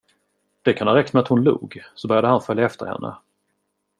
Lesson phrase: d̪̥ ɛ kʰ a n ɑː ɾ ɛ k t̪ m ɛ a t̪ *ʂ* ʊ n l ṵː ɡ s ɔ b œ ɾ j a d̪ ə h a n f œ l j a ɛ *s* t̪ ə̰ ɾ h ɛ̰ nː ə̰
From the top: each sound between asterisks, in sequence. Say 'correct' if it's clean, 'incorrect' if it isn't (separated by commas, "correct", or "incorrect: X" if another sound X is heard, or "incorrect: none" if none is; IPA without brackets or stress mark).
incorrect: h, incorrect: f